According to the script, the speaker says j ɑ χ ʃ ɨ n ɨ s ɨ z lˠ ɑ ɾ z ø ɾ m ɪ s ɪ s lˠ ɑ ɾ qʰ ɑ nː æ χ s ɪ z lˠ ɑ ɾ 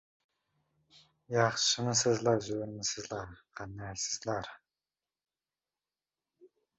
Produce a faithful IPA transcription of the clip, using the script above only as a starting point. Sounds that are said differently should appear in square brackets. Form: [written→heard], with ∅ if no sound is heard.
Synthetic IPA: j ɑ χ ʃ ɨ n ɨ s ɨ z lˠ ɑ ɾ z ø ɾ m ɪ s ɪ [s→z] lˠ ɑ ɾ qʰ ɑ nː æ [χ→∅] s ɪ z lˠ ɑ ɾ